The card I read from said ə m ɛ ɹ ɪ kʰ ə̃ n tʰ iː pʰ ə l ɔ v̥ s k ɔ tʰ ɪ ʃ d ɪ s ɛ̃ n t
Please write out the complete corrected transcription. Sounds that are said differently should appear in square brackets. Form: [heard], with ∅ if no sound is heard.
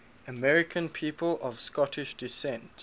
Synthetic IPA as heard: ə m ɛ ɹ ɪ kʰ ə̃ n [pʰ] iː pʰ ə l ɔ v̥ s k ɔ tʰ ɪ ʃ d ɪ s ɛ̃ n t